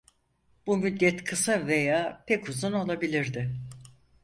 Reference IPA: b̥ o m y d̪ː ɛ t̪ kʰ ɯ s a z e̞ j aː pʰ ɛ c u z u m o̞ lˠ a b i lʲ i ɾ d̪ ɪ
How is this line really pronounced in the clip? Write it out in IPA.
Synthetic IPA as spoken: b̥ u m y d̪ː ɛ t̪ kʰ ɯ s a v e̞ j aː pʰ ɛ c u z u n o̞ lˠ a b i lʲ i ɾ d̪ ɪ